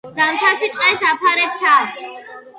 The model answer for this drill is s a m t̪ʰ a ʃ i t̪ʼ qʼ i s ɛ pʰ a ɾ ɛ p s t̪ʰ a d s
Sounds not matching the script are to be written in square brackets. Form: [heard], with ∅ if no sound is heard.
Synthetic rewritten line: [z] a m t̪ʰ a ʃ i t̪ʼ qʼ [ɛ] s [a] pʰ a ɾ ɛ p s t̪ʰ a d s